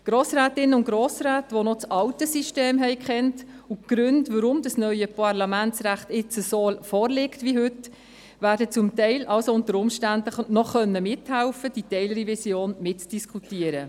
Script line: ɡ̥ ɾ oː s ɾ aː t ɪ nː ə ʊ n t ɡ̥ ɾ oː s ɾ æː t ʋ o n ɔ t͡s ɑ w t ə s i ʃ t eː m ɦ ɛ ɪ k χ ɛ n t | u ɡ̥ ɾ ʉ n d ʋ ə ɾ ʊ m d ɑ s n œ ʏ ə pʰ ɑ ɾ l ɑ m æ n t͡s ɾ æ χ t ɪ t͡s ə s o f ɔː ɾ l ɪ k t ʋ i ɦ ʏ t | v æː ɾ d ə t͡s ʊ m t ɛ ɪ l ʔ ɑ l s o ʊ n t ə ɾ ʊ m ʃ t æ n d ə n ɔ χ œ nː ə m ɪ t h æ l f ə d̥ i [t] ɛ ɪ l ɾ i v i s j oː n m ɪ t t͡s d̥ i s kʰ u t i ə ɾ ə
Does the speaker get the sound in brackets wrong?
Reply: no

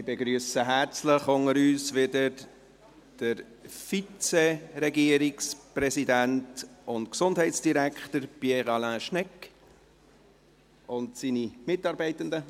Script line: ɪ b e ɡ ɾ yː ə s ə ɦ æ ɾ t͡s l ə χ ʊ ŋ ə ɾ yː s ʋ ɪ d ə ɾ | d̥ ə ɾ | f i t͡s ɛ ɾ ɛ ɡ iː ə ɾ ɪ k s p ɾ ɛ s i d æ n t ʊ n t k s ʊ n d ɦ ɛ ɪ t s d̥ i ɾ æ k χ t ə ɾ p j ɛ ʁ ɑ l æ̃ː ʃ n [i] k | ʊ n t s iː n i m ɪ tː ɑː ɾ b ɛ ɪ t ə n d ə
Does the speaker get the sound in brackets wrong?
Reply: yes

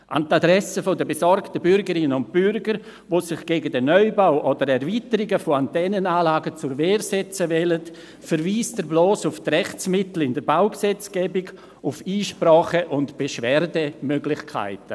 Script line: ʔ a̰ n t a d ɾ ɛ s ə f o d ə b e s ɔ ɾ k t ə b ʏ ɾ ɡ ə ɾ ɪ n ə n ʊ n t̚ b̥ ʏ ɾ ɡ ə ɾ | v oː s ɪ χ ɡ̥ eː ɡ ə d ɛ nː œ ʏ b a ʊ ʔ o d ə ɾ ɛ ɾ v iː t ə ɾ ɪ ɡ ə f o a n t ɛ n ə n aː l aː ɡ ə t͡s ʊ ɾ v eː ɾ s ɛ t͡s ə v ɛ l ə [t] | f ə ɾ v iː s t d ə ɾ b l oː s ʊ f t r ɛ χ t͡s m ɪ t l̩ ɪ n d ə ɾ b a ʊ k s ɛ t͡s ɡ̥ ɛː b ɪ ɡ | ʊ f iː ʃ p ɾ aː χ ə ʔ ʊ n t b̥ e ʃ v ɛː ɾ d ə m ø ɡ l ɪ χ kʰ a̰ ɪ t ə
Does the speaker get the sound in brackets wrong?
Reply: no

